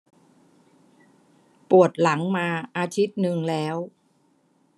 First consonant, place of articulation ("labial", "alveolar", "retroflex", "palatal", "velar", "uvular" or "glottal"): labial